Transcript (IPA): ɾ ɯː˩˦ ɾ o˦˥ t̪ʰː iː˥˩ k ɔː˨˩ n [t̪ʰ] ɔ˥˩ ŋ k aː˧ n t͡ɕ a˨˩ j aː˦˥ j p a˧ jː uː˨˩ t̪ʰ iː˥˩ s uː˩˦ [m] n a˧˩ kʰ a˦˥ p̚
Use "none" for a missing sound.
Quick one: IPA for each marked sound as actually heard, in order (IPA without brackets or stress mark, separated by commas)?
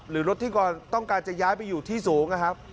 t̪, ŋ